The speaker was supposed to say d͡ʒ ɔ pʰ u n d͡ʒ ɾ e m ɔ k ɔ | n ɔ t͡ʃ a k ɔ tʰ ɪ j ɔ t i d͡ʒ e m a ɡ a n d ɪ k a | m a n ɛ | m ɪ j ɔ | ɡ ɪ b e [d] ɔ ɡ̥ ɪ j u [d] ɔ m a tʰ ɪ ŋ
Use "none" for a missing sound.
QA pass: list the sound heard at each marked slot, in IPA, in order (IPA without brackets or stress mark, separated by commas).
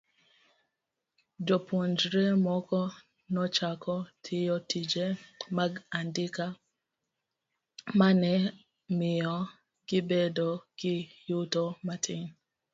d, t